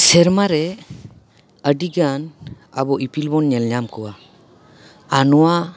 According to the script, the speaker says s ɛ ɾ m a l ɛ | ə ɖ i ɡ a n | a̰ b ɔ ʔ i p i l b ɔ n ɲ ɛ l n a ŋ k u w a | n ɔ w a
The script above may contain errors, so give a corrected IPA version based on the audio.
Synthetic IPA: s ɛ ɾ m a ɾ ɛ | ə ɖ i ɡ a n | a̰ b ɔ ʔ i p i l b ɔ n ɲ ɛ l ɲ a m k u w a | n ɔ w a